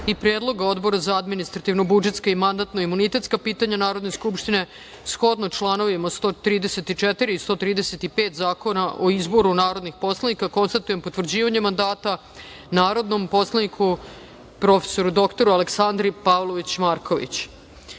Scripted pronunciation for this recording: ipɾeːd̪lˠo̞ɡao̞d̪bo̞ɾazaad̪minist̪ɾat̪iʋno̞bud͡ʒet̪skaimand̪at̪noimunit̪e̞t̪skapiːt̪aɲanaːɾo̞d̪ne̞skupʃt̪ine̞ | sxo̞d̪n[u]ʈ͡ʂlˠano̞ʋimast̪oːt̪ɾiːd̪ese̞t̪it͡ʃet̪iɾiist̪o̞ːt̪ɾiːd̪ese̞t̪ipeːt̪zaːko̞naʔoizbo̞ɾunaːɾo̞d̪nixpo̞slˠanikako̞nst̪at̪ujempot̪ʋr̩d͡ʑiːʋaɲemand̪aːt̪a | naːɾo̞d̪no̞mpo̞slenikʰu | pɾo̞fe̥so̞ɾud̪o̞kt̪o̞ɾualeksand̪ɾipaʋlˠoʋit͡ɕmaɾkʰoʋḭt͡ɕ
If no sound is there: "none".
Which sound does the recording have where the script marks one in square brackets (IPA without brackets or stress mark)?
o